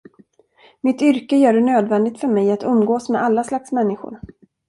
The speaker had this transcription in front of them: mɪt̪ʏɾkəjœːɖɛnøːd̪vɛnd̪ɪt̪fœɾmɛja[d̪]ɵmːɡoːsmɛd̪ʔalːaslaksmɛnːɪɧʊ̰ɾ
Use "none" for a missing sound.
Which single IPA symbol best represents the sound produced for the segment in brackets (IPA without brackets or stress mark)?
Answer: t̪